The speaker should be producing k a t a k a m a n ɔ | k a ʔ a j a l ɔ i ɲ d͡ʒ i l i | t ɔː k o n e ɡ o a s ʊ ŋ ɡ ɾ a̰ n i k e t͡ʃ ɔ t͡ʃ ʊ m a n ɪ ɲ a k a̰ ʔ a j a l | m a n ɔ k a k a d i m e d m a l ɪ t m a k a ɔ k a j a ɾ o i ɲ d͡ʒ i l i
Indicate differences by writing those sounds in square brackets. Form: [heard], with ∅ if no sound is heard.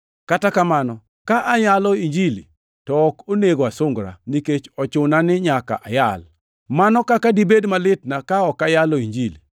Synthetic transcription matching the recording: k a t a k a m a n ɔ | k a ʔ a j a l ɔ i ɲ d͡ʒ i l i | t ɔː k o n e ɡ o a s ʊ ŋ ɡ ɾ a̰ n i k e t͡ʃ ɔ t͡ʃ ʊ [n] a n ɪ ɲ a k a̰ ʔ a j a l | m a n ɔ k a k a d i [b] e d m a l ɪ t [n] a k a ɔ k a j a [l] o i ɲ d͡ʒ i l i